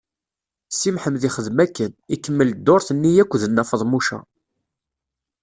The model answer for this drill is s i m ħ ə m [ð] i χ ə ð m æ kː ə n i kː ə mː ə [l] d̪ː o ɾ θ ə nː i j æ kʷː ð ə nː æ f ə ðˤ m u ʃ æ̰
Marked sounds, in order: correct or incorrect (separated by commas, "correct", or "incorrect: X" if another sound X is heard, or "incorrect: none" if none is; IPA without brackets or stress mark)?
correct, correct